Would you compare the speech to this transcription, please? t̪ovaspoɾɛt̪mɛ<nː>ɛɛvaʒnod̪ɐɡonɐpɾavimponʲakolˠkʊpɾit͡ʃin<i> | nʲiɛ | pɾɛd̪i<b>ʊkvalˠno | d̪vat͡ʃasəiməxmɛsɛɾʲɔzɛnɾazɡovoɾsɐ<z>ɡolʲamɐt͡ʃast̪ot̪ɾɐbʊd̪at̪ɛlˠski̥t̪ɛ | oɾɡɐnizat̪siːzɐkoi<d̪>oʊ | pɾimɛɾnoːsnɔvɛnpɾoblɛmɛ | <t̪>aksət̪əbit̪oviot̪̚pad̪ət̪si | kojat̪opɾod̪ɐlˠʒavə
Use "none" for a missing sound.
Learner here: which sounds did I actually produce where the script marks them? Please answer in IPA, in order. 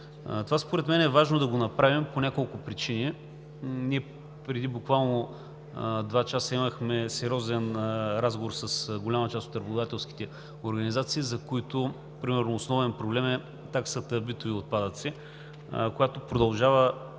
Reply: n, i, b, s, t̪, t̪

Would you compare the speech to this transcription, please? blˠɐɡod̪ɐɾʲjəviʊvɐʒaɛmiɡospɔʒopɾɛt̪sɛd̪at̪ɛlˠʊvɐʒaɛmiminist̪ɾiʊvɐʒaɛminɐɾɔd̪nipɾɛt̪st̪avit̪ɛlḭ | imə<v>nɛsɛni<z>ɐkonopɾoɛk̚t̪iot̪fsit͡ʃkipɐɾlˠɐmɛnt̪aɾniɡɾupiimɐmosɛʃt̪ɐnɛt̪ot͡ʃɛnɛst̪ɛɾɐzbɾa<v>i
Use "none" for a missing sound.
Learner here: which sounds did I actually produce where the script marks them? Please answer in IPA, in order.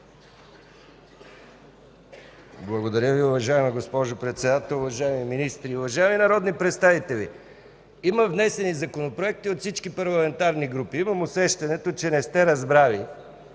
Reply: v, z, v

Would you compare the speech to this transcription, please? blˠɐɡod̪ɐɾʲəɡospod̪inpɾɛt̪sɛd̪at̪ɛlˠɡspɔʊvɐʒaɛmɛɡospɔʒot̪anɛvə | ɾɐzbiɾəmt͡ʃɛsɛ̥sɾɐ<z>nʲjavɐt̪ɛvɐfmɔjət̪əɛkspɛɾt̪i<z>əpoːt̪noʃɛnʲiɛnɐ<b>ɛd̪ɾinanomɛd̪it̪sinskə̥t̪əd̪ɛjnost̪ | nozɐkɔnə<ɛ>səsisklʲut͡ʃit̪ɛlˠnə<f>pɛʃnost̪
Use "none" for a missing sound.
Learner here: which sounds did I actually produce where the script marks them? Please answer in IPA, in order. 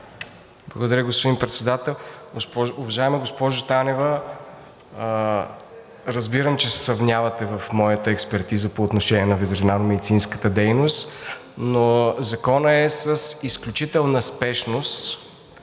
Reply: v, z, v, ɛ, s

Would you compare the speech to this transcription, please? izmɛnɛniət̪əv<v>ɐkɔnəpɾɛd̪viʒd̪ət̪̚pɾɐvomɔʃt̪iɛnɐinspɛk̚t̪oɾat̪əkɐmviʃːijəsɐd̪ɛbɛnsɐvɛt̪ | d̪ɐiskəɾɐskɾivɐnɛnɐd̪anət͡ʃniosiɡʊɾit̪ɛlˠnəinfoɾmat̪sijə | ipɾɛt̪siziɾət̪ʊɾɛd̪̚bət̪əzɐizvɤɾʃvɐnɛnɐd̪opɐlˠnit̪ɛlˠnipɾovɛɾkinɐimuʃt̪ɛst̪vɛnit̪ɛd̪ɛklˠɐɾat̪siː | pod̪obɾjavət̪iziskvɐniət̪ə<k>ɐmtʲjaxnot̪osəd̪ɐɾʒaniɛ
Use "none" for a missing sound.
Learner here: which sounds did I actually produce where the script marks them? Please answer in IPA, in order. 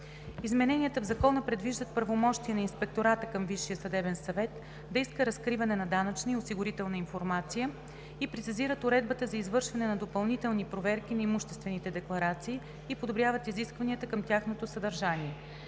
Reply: z, k

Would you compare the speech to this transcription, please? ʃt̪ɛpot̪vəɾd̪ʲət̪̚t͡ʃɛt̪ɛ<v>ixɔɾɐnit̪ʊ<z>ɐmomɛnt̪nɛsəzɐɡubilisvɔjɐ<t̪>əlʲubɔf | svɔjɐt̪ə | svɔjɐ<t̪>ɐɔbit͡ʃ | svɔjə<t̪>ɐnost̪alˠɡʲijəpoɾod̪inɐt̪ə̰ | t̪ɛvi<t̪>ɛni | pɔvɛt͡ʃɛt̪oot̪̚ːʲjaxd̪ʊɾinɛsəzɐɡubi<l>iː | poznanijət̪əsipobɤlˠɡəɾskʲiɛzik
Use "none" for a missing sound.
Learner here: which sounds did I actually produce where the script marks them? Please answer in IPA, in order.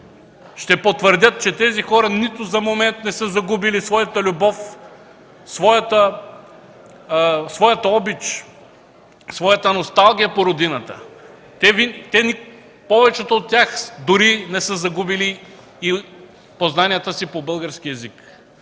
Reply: z, z, t̪, t̪, t̪, t̪, l

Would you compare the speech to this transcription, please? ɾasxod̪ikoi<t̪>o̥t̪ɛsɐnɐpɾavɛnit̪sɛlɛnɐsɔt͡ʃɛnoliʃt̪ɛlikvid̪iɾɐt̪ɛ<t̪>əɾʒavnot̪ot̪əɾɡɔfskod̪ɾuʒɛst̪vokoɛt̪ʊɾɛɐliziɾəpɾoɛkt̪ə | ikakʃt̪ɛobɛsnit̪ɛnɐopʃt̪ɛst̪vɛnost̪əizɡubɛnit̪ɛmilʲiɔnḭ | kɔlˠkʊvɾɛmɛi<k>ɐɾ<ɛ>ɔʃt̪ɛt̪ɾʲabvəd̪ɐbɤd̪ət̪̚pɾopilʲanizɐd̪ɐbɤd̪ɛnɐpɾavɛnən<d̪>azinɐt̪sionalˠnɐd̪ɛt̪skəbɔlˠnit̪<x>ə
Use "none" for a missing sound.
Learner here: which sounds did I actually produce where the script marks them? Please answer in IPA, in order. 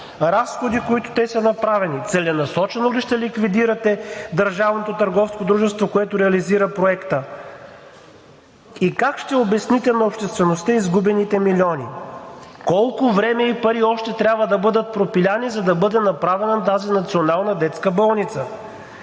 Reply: t̪, d̪, p, i, t̪, s

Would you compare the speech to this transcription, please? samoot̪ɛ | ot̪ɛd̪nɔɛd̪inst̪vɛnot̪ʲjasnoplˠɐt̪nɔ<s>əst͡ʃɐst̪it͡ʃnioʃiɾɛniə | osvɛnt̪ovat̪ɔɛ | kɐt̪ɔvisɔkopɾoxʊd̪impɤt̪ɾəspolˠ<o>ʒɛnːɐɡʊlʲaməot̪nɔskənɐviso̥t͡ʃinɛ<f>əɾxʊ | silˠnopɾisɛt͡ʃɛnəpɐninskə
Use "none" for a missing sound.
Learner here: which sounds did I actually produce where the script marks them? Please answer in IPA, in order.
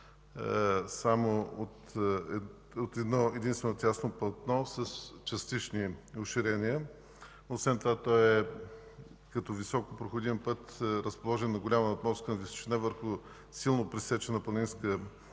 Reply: s, ɔ, v

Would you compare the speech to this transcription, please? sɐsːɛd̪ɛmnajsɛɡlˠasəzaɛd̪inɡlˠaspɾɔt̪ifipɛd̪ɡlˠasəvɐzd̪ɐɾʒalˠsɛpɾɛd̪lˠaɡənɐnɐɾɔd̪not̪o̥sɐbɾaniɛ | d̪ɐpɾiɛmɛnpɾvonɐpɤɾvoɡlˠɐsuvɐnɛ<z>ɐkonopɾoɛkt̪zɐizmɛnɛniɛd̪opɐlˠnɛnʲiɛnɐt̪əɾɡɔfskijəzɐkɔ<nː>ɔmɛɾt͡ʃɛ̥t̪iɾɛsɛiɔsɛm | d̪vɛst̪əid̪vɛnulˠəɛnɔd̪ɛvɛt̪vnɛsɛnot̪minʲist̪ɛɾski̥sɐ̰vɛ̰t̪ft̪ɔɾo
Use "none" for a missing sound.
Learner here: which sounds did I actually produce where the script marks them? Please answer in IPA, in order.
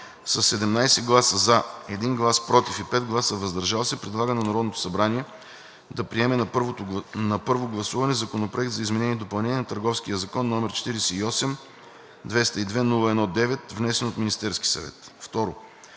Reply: z, nː

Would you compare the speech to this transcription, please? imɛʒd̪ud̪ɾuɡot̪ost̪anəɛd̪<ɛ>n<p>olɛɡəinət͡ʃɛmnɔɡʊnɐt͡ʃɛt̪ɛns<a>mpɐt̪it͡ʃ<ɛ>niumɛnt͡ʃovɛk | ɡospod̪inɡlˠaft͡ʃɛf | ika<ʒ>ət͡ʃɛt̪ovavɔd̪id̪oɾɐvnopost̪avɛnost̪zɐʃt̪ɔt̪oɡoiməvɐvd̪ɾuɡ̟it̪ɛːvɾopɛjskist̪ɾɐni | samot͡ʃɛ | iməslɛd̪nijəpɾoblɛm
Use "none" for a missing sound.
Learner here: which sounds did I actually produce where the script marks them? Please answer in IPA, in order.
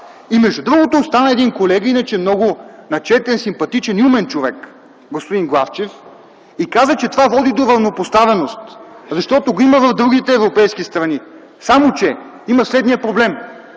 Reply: i, k, i, ɛ, z

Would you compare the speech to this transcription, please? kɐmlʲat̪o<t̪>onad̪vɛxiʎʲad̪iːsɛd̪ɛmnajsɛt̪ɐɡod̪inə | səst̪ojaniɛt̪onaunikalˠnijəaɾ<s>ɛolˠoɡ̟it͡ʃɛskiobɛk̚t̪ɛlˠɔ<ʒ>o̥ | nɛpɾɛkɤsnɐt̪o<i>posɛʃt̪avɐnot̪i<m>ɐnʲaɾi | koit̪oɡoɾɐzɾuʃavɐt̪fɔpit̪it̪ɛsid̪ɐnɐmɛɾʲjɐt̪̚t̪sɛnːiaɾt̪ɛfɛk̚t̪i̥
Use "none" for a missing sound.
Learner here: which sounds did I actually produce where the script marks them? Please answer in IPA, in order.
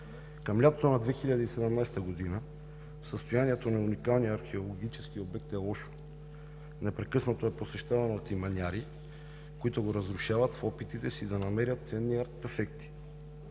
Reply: t̪, x, ʃ, ɛ, m

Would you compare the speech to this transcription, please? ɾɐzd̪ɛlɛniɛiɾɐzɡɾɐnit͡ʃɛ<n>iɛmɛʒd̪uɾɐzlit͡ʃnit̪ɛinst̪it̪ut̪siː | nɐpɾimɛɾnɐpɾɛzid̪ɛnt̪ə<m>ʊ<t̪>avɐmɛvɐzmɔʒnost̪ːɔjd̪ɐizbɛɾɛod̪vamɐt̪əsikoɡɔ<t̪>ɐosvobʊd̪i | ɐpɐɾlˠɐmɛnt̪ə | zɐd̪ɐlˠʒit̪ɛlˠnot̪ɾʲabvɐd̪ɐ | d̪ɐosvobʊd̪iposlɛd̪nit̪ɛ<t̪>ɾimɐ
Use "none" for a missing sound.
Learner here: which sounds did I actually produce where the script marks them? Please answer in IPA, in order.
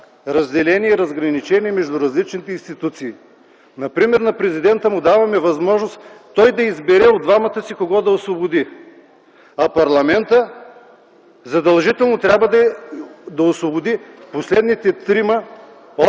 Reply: n, m, d̪, d̪, t̪

